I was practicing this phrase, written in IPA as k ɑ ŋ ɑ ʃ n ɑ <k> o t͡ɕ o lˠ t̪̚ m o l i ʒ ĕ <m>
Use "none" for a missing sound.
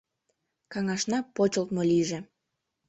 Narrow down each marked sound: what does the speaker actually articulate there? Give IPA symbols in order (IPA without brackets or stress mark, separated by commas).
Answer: p, none